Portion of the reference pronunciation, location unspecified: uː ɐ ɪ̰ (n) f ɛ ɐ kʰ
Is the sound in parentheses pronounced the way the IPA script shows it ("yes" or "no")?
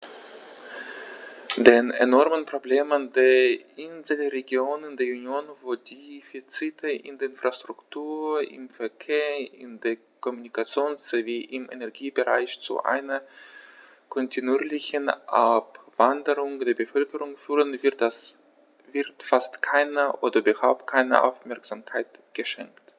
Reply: no